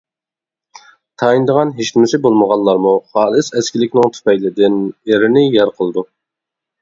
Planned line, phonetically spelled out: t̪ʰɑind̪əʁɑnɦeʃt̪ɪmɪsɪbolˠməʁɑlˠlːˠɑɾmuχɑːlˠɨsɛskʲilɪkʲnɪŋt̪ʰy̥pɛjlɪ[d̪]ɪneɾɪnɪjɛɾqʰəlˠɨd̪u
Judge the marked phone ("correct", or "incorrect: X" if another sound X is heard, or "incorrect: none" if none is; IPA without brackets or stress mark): correct